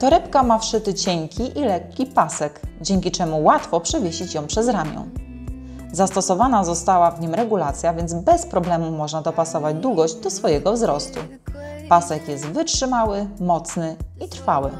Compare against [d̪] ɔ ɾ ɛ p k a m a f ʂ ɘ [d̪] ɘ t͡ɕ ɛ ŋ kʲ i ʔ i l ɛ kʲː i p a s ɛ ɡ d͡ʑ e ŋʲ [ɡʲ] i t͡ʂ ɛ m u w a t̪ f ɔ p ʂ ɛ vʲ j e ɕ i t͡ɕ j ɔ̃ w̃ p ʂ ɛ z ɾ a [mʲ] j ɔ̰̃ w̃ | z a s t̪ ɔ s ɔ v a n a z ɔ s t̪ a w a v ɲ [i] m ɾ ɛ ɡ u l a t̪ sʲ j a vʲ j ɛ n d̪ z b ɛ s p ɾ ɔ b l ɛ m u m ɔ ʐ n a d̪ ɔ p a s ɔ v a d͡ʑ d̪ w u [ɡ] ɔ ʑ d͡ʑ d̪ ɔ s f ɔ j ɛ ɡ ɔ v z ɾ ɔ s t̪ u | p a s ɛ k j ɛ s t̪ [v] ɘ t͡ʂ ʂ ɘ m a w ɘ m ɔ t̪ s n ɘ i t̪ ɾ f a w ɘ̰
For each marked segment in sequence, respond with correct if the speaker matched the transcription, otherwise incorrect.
incorrect: t̪, incorrect: t̪, incorrect: kʲ, correct, correct, correct, correct

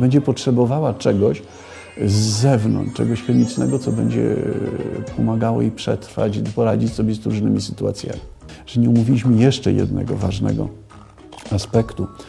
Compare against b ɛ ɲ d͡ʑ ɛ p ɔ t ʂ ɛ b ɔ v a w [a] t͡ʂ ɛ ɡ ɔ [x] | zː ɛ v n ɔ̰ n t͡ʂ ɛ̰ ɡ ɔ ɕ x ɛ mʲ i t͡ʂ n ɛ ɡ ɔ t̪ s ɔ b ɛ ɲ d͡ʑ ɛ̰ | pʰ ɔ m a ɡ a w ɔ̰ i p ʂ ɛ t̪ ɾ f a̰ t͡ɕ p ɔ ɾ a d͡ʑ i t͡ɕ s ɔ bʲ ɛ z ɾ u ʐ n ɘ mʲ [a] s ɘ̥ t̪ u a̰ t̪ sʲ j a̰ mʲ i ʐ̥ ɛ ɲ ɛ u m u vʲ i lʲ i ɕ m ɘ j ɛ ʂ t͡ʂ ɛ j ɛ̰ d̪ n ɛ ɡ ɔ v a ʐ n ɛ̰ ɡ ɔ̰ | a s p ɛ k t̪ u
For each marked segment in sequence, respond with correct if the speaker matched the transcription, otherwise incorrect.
correct, incorrect: ɕ, incorrect: i

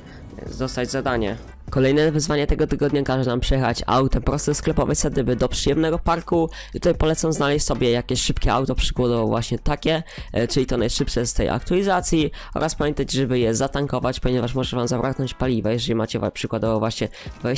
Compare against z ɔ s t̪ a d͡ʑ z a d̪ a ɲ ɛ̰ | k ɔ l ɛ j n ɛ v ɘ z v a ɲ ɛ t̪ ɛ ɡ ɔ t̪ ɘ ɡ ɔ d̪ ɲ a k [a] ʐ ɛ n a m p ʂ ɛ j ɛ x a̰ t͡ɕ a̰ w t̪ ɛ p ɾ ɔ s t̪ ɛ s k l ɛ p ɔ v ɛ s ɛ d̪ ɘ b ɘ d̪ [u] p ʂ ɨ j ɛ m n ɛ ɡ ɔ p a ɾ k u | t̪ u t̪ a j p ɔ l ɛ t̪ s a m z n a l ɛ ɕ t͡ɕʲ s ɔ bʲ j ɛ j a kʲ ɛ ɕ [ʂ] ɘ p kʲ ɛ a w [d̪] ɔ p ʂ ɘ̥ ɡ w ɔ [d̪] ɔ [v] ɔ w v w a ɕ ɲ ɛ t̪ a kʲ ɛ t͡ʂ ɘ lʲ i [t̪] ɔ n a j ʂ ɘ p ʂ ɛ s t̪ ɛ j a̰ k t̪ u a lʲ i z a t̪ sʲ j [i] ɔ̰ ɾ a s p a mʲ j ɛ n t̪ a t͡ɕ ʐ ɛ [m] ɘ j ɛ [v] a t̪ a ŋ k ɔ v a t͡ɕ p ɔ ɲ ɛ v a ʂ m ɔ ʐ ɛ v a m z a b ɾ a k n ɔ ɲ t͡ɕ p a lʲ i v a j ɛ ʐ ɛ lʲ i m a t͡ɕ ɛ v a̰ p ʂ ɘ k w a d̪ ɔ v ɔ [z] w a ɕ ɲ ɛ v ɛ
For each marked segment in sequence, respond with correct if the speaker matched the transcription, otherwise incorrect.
correct, incorrect: ɔ, correct, incorrect: t̪, correct, correct, correct, correct, incorrect: b, incorrect: z, incorrect: v

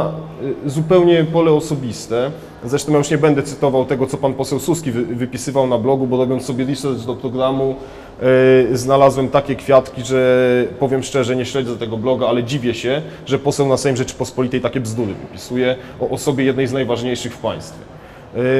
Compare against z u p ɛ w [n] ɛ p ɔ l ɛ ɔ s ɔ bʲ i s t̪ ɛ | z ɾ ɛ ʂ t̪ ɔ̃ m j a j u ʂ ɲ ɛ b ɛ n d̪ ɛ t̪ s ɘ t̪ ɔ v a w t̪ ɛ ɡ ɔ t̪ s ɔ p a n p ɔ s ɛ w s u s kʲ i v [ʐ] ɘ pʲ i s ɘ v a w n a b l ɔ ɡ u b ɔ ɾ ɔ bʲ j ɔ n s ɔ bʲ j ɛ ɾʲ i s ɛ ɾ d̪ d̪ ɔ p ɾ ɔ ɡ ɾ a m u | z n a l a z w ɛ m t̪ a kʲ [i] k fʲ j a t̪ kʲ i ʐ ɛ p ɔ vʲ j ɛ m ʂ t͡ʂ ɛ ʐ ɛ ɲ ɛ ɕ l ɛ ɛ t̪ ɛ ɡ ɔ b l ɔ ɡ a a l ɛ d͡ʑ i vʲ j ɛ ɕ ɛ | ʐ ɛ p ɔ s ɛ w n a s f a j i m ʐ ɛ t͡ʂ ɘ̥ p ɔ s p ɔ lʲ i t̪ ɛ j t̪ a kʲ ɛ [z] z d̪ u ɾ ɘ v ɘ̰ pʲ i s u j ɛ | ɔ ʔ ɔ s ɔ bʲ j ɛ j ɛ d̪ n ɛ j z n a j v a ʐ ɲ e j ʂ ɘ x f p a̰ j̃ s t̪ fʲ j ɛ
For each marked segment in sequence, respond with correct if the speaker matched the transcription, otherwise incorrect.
incorrect: ɲ, incorrect: v, incorrect: ɛ, incorrect: v

